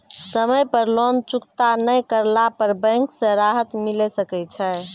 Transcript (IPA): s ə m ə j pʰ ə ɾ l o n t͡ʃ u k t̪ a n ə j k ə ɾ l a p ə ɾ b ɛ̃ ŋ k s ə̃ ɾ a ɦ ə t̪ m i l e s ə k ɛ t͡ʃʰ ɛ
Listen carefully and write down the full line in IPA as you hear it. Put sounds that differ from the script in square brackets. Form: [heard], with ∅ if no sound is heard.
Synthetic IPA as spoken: s ə m ə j [p] ə ɾ l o n t͡ʃ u k t̪ a n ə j k ə ɾ l a p ə ɾ b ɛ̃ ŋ k s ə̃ ɾ a ɦ ə t̪ m i l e s ə k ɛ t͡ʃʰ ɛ

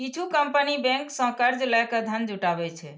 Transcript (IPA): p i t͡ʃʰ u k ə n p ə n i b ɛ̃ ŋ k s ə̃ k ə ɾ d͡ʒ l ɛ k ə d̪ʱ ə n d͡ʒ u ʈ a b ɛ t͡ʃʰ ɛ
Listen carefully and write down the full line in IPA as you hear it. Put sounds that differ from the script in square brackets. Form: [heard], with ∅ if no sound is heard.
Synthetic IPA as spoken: [k] i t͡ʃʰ u k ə [m] p ə n i b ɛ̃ ŋ k s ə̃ k ə ɾ d͡ʒ l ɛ k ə d̪ʱ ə n d͡ʒ u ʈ a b ɛ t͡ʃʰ ɛ

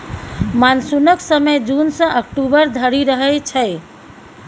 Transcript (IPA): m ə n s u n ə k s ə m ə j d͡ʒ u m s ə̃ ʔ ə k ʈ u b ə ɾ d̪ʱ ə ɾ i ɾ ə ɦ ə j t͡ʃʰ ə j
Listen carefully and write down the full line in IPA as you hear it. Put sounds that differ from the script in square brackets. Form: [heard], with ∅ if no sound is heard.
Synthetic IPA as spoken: m [a] n s u n ə k s ə m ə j d͡ʒ u [n] s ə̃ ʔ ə k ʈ u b ə ɾ d̪ʱ ə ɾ i ɾ ə ɦ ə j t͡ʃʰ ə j

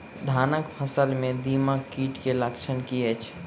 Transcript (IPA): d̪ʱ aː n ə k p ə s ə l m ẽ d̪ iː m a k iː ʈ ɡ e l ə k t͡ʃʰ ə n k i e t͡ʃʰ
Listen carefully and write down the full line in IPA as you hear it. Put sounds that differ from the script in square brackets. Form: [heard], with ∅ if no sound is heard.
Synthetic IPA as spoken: d̪ʱ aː n ə k [pʰ] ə s ə l m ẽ d̪ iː m a k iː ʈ [k] e l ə k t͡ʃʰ ə n k i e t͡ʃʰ

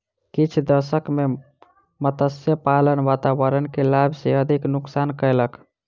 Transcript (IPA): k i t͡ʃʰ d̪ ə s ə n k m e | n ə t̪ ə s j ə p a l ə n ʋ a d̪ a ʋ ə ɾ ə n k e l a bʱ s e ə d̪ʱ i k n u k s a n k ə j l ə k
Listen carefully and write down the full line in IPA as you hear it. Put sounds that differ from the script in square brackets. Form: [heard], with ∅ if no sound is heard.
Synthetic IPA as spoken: k i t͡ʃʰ d̪ ə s ə [∅] k m e | [m] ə t̪ ə s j ə p a l ə n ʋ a [t̪] a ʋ ə ɾ ə n k e l a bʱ s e ə d̪ʱ i k n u k s a n k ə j l ə k

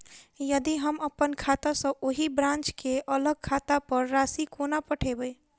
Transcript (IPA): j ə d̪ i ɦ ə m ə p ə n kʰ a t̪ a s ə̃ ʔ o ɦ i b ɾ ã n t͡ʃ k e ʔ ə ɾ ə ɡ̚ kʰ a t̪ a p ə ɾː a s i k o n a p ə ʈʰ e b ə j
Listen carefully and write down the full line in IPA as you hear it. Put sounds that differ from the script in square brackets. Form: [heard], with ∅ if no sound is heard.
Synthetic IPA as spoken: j ə d̪ i ɦ ə m ə p ə n kʰ a t̪ a s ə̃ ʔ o ɦ i b ɾ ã n t͡ʃ k e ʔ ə [l] ə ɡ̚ kʰ a t̪ a p ə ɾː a s i k o n a p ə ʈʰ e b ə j

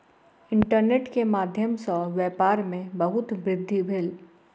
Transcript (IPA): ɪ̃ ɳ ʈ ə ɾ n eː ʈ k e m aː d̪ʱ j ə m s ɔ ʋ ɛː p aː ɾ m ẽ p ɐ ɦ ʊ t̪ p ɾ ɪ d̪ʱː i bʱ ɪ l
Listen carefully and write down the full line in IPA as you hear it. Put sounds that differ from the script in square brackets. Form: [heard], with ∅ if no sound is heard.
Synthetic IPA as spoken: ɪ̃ ɳ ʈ ə ɾ n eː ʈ k e m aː d̪ʱ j ə m s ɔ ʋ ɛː p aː ɾ m ẽ [b] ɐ ɦ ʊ t̪ [b] ɾ ɪ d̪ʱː i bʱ ɪ l

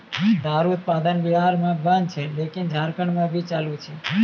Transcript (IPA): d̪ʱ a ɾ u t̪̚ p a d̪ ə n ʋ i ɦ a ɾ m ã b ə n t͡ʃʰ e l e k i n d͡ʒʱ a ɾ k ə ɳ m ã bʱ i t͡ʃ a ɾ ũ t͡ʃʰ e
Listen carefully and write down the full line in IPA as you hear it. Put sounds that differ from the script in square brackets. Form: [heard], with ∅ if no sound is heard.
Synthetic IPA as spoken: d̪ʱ a ɾ u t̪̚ p a d̪ ə n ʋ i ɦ a ɾ m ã b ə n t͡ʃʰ e l e k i n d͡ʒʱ a ɾ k ə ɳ m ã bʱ i t͡ʃ a [l] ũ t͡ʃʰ e

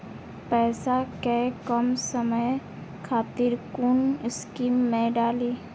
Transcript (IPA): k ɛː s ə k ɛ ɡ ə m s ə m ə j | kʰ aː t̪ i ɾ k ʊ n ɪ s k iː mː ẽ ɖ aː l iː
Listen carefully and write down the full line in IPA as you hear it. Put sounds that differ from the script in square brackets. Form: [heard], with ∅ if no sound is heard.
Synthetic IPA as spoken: [p] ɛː s [a] k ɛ [k] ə m s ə m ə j | kʰ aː t̪ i ɾ k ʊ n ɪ s k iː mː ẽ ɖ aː l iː

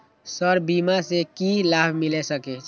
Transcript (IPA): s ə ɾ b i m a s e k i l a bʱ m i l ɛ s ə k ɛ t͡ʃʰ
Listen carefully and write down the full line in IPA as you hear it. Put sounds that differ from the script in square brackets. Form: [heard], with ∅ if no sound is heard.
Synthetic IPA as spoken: s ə ɾ b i m a s e k i l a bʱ m i l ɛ s ə k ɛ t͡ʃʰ

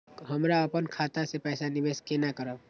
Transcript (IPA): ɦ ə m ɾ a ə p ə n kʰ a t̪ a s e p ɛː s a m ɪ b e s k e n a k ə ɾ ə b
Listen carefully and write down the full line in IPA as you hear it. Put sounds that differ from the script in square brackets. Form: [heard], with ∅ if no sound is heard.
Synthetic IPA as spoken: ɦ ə m ɾ a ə p ə n kʰ a t̪ a s e p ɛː s a [n] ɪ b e s k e n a k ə ɾ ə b

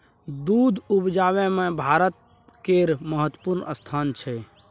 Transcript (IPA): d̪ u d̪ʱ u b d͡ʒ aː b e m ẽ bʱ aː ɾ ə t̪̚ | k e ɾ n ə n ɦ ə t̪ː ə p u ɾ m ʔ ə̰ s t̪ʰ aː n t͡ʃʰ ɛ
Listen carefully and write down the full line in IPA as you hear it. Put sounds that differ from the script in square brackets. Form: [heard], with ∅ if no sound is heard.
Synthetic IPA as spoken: d̪ u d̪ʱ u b d͡ʒ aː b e m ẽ bʱ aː ɾ ə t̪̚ | k e ɾ [m] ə [∅] ɦ ə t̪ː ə p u ɾ [n] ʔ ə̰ s t̪ʰ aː n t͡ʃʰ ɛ

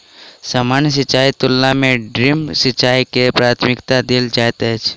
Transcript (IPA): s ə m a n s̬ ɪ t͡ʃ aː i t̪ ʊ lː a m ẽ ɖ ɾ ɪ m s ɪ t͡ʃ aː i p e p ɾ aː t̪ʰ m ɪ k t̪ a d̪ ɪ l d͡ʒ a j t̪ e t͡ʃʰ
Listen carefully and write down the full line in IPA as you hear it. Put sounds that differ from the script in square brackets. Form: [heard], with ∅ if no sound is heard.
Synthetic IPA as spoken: s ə m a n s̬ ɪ t͡ʃ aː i t̪ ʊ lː a m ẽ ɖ ɾ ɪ m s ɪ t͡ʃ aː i [k] e p ɾ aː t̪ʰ m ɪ k t̪ a d̪ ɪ l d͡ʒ a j t̪ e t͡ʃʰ

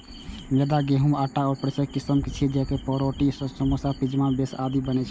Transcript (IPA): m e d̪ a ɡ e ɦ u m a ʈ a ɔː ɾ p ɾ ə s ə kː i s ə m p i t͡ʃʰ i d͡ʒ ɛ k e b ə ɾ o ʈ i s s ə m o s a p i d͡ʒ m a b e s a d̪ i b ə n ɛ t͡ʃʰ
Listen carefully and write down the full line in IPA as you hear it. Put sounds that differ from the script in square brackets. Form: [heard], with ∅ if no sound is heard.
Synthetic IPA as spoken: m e d̪ a ɡ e ɦ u m a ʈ a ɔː ɾ p ɾ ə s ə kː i s ə m [k] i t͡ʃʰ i d͡ʒ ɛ k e [p] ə ɾ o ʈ i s s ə m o s a p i d͡ʒ m a b e s a d̪ i b ə n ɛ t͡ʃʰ

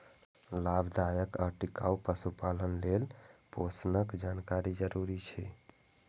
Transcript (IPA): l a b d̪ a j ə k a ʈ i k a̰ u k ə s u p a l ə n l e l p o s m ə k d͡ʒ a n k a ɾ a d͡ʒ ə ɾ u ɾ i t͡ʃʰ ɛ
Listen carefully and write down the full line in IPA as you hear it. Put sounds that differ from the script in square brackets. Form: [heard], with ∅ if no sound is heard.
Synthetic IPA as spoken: l a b d̪ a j ə k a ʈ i k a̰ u [p] ə s u p a l ə n l e l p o s [n] ə k d͡ʒ a n k a ɾ [i] d͡ʒ ə ɾ u ɾ i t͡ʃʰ ɛ

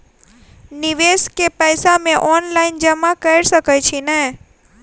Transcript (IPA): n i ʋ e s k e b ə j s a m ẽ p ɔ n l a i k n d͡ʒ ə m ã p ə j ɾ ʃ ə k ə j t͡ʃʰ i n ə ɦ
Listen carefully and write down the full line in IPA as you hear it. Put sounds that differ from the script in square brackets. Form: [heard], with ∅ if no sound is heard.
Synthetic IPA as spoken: n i ʋ e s k e [p] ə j s a m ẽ [ʔ] ɔ n l a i [∅] n d͡ʒ ə m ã [k] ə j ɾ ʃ ə k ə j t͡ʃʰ i n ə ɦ

